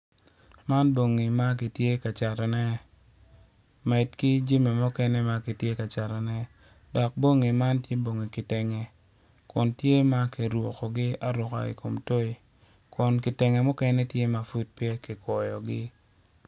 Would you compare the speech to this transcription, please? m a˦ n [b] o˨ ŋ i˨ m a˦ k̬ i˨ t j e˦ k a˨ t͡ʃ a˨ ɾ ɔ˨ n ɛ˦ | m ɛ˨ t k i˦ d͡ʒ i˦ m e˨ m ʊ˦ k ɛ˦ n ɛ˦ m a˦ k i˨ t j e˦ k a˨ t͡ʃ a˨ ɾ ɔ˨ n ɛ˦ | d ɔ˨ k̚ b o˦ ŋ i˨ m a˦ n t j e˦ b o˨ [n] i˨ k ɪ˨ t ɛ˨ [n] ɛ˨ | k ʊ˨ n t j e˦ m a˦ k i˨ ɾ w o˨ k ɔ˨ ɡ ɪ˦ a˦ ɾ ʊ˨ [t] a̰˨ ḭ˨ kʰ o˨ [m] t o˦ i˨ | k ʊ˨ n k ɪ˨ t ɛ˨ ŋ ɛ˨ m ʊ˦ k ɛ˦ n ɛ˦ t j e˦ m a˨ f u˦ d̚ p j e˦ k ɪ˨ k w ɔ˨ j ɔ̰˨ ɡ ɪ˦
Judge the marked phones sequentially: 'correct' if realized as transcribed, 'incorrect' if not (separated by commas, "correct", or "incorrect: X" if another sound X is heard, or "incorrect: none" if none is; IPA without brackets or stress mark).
correct, incorrect: ŋ, incorrect: ŋ, incorrect: k, correct